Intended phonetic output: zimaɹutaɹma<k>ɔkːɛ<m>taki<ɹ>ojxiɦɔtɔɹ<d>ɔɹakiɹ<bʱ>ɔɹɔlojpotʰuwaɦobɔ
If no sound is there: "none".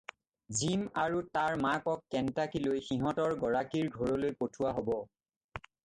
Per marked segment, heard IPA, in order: k, n, l, ɡ, ɡʱ

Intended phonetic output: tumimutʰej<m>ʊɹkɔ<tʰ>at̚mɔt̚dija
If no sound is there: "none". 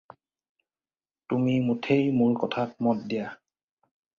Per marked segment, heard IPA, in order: m, tʰ

